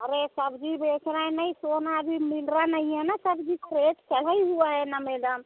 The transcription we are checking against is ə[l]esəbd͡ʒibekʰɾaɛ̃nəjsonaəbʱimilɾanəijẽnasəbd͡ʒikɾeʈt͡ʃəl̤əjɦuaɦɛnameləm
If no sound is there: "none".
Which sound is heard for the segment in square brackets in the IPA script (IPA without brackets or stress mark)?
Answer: ɾ